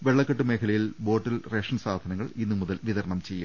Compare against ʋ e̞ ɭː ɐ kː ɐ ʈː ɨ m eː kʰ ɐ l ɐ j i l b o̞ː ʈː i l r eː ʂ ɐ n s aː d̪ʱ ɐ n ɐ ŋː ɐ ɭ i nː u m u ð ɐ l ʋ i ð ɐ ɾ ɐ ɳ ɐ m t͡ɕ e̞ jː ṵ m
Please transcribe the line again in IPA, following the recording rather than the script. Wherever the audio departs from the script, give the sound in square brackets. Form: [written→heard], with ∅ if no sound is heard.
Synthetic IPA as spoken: ʋ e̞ ɭː ɐ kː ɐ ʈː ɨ m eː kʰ ɐ l ɐ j i l b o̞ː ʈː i l r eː ʂ ɐ n s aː d̪ʱ ɐ n ɐ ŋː ɐ ɭ i nː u m u ð ɐ l ʋ i ð ɐ ɾ ɐ ɳ ɐ m t͡ɕ e̞ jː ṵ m